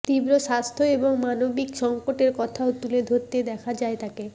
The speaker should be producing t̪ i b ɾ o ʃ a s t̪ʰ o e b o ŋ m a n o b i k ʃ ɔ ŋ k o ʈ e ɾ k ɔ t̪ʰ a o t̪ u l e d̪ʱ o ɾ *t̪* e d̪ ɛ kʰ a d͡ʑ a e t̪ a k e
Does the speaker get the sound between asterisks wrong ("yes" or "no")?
no